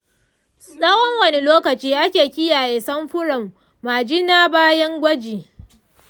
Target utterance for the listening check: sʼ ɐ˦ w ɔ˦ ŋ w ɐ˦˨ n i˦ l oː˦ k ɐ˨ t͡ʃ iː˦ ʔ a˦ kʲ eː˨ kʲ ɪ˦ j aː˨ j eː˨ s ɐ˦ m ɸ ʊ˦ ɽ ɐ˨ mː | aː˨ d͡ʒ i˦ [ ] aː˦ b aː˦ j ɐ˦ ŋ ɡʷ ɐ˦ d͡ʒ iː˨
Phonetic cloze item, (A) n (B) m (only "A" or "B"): A